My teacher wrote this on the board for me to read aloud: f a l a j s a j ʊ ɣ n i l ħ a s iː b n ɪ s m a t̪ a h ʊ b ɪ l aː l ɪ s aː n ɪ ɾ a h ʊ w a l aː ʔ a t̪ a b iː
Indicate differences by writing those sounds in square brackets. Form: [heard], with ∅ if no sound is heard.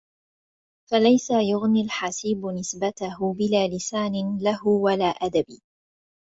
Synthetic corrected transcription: f a l a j s a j ʊ ɣ n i l ħ a s iː b n ɪ s [b] a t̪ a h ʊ b ɪ l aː l ɪ s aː n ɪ [l] a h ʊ w a l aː ʔ a [d̪] a b iː